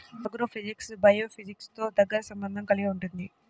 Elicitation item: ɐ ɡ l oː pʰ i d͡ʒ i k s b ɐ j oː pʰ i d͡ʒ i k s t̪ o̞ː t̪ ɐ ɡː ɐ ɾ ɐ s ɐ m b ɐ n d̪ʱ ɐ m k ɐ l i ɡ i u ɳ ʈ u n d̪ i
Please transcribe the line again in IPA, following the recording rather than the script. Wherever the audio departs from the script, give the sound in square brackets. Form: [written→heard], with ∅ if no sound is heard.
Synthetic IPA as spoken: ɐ ɡ [l→ɾ] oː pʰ i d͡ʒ i k s b ɐ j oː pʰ i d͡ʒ i k s t̪ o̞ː [t̪→d̪] ɐ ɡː ɐ ɾ ɐ s ɐ m b ɐ n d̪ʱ ɐ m k ɐ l i ɡ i u ɳ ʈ u n d̪ i